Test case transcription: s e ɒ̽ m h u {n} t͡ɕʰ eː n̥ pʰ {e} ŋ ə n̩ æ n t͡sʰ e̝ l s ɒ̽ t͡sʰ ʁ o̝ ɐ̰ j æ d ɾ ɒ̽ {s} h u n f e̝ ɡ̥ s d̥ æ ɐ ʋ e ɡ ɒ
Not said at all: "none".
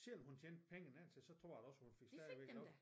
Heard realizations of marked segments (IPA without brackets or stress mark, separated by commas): n, e, s